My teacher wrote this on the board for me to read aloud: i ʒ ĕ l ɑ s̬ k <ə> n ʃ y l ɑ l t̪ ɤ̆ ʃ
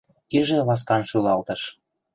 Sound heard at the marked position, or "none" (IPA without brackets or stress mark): ɑ